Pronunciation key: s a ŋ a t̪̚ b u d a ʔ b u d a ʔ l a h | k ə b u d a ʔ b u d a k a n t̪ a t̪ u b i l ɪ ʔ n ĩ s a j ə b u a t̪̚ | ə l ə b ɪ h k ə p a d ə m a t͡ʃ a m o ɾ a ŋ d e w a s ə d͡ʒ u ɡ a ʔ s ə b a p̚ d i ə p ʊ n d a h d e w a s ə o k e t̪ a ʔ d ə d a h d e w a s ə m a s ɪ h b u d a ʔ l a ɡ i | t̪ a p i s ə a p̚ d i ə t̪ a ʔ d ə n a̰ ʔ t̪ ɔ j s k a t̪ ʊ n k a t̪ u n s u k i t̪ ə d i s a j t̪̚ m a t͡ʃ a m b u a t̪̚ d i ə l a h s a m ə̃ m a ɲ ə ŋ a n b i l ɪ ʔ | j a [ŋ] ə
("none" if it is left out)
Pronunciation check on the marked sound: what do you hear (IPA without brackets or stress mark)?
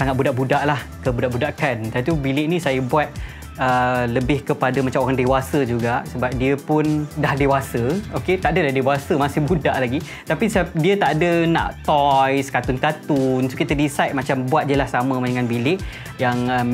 ŋ